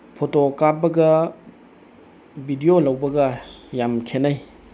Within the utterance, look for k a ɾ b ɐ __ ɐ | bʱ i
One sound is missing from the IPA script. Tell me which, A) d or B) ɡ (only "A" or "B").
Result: B